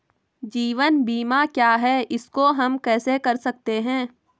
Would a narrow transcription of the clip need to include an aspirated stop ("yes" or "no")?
no